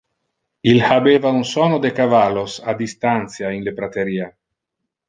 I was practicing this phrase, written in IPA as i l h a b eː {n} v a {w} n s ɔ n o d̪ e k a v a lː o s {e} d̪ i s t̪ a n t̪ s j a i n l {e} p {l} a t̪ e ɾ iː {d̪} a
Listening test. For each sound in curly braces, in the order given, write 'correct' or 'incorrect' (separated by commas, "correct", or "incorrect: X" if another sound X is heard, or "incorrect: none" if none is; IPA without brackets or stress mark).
incorrect: none, incorrect: u, incorrect: a, correct, incorrect: ɾ, incorrect: none